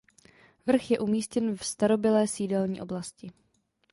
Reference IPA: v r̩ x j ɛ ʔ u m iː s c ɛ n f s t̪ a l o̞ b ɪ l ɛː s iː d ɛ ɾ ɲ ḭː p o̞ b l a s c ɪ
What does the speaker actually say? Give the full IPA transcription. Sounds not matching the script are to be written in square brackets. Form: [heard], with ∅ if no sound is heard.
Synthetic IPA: v r̩ x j ɛ ʔ u m iː s c ɛ n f s t̪ a [ɾ] o̞ b ɪ l ɛː s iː d ɛ [l] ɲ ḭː [ʔ] o̞ b l a s c ɪ